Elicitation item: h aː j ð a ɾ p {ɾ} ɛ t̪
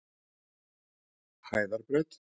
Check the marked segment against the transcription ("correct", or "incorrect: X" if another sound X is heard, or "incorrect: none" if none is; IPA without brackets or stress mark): correct